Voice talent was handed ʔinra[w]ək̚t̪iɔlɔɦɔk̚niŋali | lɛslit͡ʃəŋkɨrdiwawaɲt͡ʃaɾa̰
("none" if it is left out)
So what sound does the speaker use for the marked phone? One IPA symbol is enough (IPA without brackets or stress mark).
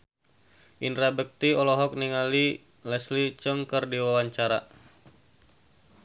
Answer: b